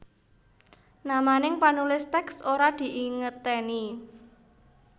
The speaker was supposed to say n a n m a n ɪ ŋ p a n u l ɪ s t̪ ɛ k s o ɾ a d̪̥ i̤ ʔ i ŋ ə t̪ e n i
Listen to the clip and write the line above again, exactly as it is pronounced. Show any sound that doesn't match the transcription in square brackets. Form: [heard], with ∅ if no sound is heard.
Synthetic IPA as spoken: n a [∅] m a n ɪ ŋ p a n u l ɪ s t̪ ɛ k s o ɾ a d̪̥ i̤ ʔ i ŋ ə t̪ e n i